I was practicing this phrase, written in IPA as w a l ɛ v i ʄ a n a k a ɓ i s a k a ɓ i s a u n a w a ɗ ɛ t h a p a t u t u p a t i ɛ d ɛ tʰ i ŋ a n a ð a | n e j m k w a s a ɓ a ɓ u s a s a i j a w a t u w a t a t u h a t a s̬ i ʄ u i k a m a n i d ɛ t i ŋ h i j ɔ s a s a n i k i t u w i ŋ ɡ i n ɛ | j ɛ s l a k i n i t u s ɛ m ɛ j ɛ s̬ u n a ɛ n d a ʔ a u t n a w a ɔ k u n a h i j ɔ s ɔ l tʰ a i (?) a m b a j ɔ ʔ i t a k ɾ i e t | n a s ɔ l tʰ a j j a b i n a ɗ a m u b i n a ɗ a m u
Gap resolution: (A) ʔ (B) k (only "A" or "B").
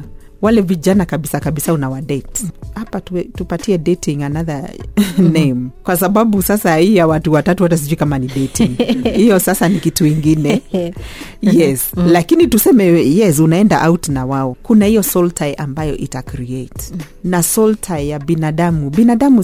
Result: A